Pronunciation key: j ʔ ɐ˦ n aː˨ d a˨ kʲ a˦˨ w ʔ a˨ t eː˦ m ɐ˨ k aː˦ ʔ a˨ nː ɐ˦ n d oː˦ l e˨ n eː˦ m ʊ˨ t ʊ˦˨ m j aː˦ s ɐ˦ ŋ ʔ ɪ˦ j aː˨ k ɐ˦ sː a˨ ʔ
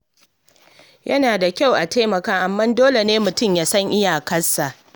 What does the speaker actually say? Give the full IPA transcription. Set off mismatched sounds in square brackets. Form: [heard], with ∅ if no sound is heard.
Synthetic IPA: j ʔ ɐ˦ n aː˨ d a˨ kʲ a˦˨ w ʔ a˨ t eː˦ m ɐ˨ k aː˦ ʔ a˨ [mː] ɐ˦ n d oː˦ l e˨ n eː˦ m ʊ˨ t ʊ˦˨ m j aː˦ s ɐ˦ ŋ ʔ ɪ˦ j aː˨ k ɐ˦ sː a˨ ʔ